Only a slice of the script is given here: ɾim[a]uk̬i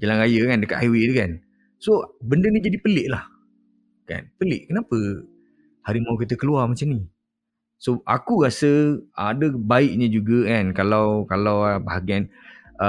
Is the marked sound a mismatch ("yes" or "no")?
no